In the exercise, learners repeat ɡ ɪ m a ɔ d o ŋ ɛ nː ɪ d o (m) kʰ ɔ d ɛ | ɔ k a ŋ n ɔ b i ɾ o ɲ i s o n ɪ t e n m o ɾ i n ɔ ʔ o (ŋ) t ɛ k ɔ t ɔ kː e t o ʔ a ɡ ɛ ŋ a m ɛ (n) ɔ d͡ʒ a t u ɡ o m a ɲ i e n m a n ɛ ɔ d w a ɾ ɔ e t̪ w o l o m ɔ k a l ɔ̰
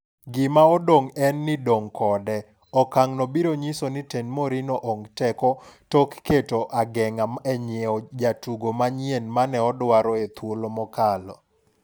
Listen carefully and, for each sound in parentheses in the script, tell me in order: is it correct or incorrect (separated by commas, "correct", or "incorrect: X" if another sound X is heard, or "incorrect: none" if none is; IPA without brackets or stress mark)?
incorrect: ŋ, correct, incorrect: ɲ